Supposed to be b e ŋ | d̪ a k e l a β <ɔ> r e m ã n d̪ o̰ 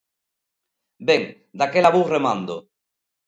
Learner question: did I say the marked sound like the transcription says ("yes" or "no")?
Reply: no